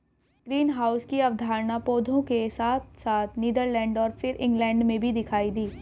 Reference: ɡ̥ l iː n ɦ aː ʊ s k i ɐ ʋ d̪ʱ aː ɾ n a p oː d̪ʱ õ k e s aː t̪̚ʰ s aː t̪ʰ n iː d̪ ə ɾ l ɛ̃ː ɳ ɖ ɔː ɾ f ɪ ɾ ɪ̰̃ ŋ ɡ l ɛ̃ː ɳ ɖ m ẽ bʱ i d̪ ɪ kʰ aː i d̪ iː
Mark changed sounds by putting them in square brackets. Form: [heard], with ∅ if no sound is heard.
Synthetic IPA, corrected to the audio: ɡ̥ [ɾ] iː n ɦ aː ʊ s k i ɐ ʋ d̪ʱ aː ɾ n a p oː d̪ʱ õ k e s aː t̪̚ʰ s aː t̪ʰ n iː d̪ ə ɾ l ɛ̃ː ɳ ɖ ɔː ɾ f ɪ ɾ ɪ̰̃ ŋ ɡ l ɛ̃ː ɳ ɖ m ẽ bʱ i d̪ ɪ kʰ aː i d̪ iː